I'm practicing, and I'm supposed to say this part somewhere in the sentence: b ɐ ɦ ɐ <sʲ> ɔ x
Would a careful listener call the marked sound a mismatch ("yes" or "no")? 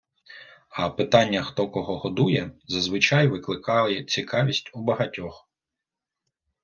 yes